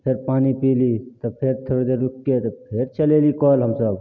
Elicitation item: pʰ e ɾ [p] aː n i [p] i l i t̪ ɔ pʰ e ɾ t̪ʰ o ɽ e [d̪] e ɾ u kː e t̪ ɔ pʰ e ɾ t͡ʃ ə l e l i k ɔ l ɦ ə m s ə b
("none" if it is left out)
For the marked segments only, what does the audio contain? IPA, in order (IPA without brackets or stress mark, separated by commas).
p, p, d̪